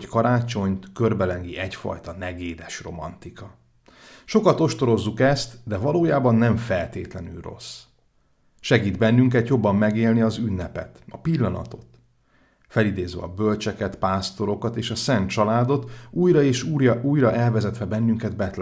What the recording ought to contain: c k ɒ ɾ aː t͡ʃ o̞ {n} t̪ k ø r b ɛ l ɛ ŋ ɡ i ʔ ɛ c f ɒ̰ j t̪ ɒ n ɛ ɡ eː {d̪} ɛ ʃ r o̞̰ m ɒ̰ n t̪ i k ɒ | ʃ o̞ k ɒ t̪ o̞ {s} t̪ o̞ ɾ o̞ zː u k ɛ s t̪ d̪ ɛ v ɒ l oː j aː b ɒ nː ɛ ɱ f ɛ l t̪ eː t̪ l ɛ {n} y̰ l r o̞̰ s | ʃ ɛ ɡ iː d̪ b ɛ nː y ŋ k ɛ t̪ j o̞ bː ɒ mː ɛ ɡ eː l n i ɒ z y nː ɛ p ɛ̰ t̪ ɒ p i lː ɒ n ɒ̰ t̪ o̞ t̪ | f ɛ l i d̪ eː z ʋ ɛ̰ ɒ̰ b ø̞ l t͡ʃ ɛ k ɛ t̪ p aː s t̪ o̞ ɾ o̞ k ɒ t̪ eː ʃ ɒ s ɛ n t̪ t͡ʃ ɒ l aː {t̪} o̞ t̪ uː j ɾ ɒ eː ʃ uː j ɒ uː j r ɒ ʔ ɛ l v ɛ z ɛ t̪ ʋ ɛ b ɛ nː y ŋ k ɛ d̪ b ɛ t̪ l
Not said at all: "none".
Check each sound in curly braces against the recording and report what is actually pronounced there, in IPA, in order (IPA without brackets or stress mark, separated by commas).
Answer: ɲ, d̪, ʃ, n, d̪